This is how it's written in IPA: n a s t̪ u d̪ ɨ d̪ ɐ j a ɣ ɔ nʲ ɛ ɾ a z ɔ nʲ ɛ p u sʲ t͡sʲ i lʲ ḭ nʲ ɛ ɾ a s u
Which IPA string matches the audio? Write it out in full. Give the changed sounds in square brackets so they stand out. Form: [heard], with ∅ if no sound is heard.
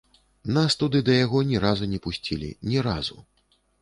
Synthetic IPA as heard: n a s t̪ u d̪ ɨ d̪ ɐ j a ɣ ɔ nʲ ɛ ɾ a z [u] nʲ ɛ p u sʲ t͡sʲ i lʲ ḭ nʲ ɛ ɾ a [z] u